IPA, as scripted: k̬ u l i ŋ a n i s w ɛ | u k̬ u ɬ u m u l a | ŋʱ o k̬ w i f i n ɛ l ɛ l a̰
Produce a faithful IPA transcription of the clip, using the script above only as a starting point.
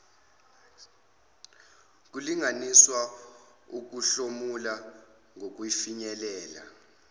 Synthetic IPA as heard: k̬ u l i ŋ a n i s w a | u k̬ u ɬ o m u l a | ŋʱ o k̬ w i f i ɲ ɛ l ɛː l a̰

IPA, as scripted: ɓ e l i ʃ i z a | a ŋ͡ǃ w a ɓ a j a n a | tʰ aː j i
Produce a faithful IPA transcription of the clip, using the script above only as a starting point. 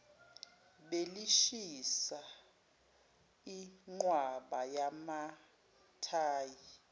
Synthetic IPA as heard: ɓ e l i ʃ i s a | i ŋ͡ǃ w a ɓ a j a m a | tʰ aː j i

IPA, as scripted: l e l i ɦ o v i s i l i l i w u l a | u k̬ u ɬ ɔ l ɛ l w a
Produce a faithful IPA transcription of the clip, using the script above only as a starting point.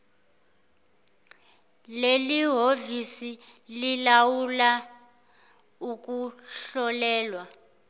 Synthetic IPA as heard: l e l i ɦ o v i s i l i l a w u l a | u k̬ u ɬ ɔ l ɛː l w a

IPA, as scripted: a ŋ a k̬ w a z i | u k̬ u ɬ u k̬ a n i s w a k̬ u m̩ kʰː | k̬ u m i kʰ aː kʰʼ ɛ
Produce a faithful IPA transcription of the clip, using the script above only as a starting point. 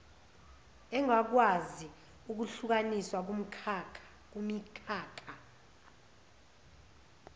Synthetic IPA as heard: ɛ ŋ a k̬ w a z i | u k̬ u ɬ u k̬ a n i s w a k̬ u m̩ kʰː | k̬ u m i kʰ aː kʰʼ a

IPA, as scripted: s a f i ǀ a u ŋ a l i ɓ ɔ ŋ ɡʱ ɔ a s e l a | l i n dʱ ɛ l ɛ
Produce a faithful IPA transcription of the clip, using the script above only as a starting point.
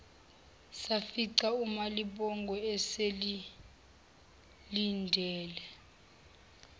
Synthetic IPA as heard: s a f i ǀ a u m a l i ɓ ɔ ŋ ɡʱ ɔ ɛ s e l i | l i n dʱ ɛː l ɛ

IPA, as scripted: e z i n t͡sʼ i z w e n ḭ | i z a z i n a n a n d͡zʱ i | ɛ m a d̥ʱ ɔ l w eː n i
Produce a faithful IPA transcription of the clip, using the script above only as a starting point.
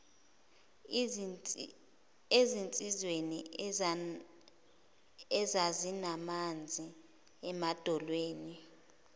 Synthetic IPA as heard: e z i n t͡sʼ i z w e n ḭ | ɛ z a z i n a m a n d͡zʱ i | ɛ m a d̥ʱ ɔ l w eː n i

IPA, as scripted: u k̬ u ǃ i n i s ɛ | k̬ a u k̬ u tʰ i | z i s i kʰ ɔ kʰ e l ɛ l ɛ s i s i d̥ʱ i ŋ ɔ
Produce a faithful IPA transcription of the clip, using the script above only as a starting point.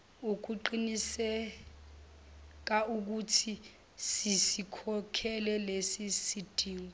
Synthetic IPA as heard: u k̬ u ǃ i n i s ɛ | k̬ a u k̬ u tʰ i | s i s i kʰ ɔ kʰ ɛ l ɛ l e s i s i d̥ʱ iː ŋ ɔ

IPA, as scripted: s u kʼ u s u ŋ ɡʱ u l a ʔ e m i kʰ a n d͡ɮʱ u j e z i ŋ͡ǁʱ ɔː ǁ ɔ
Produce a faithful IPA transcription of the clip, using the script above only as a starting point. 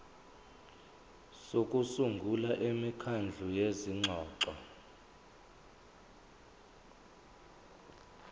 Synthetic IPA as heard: s o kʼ u s u ŋ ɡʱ u l a ʔ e m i kʰ a n d͡ɮʱ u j e z i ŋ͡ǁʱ ɔː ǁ ɔ

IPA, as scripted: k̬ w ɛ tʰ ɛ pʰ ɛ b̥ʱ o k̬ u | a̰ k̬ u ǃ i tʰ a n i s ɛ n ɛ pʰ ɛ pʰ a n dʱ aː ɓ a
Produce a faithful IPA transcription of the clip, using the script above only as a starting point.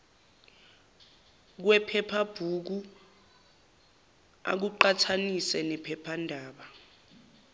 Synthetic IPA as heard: k̬ w ɛ pʰ ɛ pʰ a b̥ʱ u k̬ u | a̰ k̬ u ǃ a tʰ a n i s ɛ n ɛ pʰ ɛ pʰ a n dʱ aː ɓ a

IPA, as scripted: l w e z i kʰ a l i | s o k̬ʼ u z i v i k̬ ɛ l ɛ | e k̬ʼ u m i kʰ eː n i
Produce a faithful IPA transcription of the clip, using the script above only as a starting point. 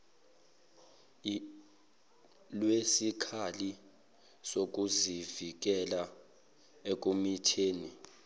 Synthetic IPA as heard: l w e s i kʰ a l i | s o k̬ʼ u z i v i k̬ ɛ l a | e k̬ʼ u m i tʰ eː n i

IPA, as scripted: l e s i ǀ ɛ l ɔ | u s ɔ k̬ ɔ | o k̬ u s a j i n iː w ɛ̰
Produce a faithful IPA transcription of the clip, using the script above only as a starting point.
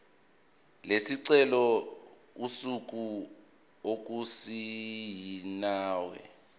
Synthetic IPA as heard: l e s i ǀ ɛ l ɔ | u s u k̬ u | o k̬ u s i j i n aː w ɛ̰

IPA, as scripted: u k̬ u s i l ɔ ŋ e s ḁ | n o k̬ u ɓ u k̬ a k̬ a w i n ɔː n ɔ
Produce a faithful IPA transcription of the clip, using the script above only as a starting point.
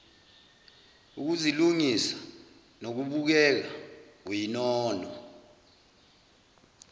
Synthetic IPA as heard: u k̬ u z i l u ŋ i s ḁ | n o k̬ u ɓ u k̬ ɛ k̬ a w i n ɔː n ɔ

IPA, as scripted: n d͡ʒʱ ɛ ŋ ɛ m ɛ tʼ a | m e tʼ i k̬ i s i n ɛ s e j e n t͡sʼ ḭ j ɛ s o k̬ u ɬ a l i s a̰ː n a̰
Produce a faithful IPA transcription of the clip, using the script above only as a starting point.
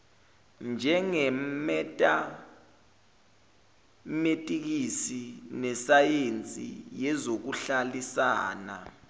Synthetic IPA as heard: n d͡ʒʱ ɛ ŋ ɛ m ɛ tʼ a | m e tʼ i k̬ i s i n ɛ s a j e n t͡sʼ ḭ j ɛ z o k̬ u ɬ a l i s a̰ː n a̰

